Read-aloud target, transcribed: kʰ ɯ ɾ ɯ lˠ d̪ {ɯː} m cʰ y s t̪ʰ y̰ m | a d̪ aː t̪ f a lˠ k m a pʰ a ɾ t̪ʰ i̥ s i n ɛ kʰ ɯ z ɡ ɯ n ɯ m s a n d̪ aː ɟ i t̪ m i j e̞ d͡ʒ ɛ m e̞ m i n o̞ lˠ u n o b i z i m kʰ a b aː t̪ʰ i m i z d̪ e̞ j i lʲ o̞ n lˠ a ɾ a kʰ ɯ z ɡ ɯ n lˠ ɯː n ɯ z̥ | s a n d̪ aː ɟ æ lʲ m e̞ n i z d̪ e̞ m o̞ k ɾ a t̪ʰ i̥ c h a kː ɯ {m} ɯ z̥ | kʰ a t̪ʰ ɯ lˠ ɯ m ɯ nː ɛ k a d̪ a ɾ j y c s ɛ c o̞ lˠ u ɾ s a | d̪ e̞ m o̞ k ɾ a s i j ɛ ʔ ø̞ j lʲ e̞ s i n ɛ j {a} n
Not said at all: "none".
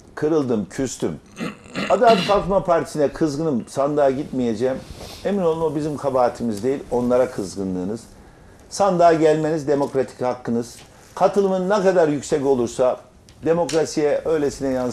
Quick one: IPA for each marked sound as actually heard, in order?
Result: ɯ, n, a

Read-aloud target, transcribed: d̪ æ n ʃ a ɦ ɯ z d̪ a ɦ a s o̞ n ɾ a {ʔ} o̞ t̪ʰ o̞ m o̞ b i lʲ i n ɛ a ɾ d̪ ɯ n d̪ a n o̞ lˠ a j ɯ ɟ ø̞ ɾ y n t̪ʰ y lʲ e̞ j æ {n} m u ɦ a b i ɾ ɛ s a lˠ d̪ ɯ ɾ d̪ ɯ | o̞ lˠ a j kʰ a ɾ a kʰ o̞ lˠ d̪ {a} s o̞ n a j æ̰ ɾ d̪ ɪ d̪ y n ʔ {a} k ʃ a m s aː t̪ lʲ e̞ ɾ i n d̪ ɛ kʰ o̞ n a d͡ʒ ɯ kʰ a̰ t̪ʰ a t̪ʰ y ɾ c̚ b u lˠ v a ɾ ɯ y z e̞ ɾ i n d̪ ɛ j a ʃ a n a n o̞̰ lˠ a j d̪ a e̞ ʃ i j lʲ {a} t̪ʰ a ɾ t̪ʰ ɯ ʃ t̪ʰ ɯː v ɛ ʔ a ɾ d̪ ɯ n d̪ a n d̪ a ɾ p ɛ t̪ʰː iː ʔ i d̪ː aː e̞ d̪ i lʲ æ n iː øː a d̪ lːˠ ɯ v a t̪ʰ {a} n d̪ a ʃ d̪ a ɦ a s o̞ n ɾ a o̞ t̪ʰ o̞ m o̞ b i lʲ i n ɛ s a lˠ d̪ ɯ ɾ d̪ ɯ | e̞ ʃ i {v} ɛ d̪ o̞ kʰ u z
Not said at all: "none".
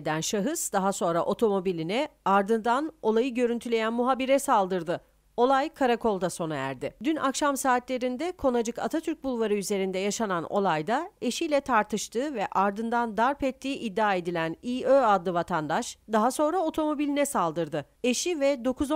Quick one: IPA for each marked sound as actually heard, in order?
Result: ʔ, n, a, a, ɛ, a, v

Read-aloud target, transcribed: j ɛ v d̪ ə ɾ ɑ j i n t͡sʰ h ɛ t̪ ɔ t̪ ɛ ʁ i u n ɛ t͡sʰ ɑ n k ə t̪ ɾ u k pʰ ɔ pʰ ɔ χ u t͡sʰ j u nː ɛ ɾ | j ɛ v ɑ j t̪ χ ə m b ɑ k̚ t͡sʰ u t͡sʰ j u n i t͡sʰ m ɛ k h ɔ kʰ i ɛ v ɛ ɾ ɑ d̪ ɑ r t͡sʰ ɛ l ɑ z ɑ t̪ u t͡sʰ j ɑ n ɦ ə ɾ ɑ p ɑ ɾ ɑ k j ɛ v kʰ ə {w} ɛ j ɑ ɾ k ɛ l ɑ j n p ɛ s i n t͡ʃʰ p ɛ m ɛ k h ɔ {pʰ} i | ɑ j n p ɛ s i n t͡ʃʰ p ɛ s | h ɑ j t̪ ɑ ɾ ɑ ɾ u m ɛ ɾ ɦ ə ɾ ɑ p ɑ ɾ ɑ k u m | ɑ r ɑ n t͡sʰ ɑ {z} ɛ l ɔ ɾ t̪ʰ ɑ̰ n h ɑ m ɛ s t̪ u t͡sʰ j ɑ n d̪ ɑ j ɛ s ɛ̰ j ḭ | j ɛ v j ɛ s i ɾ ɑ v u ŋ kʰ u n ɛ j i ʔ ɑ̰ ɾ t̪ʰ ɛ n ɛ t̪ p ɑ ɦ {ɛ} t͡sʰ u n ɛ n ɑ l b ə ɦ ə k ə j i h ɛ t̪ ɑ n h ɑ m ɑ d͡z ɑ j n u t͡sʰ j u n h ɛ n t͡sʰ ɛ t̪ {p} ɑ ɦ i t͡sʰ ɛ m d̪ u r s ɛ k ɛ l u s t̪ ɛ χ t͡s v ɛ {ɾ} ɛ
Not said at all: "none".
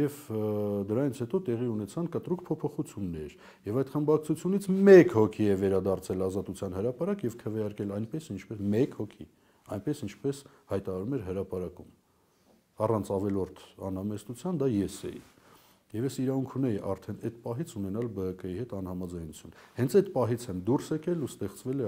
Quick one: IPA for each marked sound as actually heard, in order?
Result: v, kʰ, v, i, p, l

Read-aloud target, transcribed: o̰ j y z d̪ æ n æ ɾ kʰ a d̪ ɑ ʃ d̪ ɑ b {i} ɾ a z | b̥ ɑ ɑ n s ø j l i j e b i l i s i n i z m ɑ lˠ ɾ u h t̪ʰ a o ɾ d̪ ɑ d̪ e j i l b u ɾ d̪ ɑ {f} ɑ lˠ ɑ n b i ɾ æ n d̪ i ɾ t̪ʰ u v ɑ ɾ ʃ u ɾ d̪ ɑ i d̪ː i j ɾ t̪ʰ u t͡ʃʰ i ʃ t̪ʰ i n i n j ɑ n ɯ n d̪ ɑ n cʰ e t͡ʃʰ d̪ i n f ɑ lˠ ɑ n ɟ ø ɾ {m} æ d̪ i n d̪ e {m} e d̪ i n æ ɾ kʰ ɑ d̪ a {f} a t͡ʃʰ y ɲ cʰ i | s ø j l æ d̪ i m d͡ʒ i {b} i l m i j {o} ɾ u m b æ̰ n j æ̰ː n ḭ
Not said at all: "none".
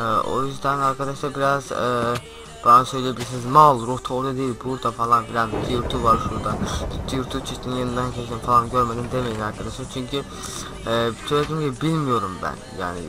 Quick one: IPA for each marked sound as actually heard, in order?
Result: i, f, m, m, ʃ, b, o

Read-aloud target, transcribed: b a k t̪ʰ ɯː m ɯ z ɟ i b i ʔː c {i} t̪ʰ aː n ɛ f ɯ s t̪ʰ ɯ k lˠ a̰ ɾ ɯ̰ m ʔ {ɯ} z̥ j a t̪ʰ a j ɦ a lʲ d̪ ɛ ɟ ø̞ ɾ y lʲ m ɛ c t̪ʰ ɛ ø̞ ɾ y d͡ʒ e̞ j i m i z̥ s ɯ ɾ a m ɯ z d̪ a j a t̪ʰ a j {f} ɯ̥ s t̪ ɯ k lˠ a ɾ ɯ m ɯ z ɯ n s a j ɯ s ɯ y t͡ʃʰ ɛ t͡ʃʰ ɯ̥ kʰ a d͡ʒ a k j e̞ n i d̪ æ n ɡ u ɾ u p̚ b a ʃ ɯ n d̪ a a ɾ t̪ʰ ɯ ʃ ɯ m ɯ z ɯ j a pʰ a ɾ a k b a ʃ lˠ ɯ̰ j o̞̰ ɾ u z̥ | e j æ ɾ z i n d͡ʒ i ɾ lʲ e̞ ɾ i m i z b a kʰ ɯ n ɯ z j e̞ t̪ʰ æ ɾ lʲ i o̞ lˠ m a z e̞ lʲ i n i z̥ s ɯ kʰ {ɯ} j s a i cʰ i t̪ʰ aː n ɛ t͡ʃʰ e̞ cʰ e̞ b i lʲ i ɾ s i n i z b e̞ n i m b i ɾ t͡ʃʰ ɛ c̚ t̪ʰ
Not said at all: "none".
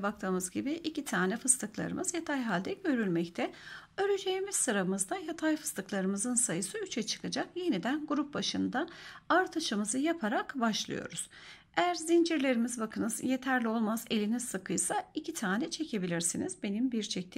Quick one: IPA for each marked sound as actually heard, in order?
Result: i, ɯ, f, ɯ

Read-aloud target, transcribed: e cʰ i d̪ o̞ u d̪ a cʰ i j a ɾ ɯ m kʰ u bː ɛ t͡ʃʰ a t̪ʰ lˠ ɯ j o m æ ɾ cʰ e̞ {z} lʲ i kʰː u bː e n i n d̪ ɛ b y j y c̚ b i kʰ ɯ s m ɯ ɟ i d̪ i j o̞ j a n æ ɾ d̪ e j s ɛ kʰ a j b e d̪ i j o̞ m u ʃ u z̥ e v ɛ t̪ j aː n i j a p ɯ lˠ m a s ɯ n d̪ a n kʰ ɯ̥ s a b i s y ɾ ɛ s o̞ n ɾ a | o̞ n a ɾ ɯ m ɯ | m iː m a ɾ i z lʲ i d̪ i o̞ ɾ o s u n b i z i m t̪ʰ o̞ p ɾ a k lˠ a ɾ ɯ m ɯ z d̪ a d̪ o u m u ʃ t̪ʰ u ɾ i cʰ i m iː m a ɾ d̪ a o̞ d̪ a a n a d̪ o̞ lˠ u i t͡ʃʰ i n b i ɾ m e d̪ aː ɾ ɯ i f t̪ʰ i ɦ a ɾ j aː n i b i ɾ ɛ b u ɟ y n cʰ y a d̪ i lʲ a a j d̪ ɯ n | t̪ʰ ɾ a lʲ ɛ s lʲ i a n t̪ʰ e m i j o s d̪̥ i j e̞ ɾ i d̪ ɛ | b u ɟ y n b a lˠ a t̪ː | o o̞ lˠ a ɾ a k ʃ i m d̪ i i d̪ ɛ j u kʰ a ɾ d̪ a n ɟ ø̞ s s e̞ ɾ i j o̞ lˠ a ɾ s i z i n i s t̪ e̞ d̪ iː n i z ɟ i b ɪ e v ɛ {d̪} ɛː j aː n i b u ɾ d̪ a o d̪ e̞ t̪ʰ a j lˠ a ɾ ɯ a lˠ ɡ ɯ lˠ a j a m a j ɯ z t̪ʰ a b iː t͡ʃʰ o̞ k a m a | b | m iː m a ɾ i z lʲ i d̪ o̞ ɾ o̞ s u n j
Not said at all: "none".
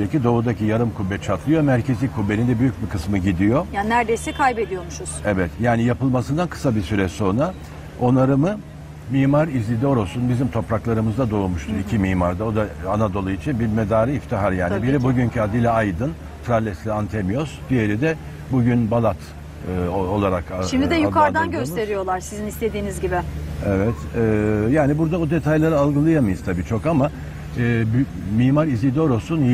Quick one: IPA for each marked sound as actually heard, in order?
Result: z, t̪

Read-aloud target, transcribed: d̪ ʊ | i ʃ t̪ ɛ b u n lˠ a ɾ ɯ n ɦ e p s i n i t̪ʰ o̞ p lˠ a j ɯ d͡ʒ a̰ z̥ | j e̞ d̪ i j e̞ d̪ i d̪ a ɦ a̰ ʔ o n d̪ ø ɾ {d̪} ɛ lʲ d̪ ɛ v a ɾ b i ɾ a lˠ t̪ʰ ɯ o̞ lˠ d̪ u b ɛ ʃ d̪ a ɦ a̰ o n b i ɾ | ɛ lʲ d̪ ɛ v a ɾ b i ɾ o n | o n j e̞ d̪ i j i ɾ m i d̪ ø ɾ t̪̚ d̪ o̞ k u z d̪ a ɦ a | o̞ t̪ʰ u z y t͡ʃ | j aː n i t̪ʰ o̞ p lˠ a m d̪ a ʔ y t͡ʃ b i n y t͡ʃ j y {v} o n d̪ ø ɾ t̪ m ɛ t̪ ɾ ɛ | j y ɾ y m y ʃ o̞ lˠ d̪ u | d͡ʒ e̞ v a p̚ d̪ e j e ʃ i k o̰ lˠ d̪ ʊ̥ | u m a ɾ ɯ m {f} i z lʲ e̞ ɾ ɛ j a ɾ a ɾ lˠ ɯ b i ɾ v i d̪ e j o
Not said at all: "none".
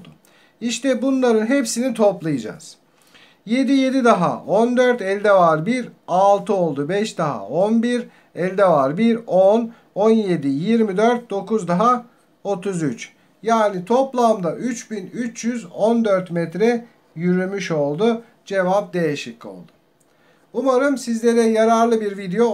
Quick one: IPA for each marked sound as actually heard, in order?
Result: t̪, z, s

